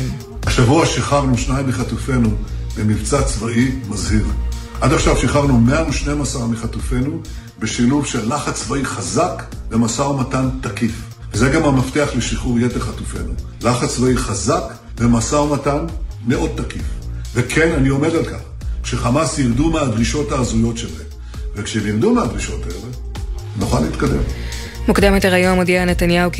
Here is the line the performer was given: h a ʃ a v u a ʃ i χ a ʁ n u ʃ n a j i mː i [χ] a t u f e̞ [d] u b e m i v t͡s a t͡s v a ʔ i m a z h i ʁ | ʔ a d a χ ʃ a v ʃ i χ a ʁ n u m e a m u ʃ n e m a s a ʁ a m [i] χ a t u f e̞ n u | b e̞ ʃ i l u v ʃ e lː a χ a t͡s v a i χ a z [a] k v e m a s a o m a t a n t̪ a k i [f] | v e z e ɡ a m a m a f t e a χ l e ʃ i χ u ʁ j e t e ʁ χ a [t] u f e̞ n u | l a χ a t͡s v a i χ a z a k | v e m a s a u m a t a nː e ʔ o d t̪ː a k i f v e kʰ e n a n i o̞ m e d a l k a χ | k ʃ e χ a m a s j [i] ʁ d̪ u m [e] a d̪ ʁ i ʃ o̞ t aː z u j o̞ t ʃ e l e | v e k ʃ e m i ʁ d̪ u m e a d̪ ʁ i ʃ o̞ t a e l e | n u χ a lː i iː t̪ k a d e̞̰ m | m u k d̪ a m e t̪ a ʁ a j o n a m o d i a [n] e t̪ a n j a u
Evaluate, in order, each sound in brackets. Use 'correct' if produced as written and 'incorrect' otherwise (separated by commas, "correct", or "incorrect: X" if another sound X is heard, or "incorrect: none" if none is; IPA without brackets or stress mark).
correct, incorrect: n, correct, correct, correct, correct, correct, correct, correct